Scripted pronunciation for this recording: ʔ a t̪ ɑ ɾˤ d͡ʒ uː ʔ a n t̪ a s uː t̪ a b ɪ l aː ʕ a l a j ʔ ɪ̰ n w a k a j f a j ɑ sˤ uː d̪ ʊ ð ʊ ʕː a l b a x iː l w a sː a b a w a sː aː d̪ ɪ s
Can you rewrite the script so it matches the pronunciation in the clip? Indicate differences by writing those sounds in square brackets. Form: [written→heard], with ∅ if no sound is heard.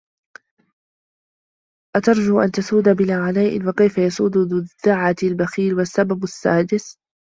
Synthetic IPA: ʔ a t̪ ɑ ɾˤ d͡ʒ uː ʔ a n t̪ a s uː [t̪→d̪] a b ɪ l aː ʕ a l a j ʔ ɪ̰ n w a k a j f a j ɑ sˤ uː d̪ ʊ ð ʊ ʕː a l b a x iː l w a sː a b a [w→b] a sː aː d̪ ɪ s